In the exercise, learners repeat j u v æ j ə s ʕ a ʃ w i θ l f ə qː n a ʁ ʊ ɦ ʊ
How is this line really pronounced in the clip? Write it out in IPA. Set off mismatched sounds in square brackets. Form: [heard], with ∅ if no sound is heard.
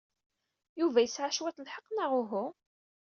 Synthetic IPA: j u v æ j ə s ʕ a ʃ w [æ] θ l [ħ] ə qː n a ʁ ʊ ɦ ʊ